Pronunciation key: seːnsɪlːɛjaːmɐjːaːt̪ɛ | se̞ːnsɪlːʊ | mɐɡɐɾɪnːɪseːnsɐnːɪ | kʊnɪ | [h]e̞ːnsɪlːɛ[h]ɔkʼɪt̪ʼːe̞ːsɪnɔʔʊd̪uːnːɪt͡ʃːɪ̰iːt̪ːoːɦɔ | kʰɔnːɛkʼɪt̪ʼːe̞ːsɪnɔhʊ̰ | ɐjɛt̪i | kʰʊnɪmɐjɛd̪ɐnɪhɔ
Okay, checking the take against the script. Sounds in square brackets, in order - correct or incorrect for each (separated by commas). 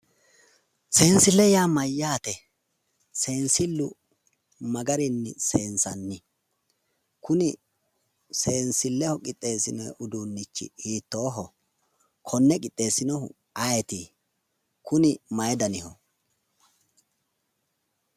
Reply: incorrect, correct